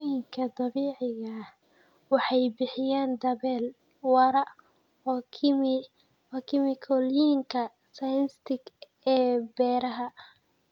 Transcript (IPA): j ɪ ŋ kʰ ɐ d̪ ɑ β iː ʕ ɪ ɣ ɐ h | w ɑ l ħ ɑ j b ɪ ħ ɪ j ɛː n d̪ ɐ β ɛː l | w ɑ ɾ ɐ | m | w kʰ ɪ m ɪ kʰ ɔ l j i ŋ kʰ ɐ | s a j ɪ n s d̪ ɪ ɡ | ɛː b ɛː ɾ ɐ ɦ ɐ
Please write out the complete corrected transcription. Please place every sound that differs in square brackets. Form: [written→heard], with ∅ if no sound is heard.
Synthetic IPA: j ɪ ŋ kʰ ɐ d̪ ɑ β iː ʕ ɪ ɣ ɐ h | w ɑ [l→∅] ħ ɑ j b ɪ ħ ɪ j [ɛː→aː] n d̪ ɐ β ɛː l | w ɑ ɾ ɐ | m | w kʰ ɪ m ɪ kʰ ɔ l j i ŋ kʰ ɐ | s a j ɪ n s [d̪→t̪] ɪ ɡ | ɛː b ɛː ɾ ɐ ɦ ɐ